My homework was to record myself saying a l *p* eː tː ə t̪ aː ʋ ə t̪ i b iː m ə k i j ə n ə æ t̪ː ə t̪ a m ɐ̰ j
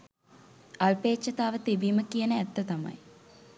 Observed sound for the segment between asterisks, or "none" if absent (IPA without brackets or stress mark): p